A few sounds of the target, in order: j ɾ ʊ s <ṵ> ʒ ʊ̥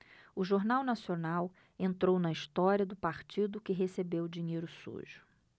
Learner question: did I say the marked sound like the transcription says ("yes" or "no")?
yes